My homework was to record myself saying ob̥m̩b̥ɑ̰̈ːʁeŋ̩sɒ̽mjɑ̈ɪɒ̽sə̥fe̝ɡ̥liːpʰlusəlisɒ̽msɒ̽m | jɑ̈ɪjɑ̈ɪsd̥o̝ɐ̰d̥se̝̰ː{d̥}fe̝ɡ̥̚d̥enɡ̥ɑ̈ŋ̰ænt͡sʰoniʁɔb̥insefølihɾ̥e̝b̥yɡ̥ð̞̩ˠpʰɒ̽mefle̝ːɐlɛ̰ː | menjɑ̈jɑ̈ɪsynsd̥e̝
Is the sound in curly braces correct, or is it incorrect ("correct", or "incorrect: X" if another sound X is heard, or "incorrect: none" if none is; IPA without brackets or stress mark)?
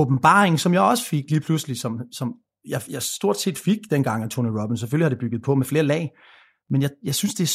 correct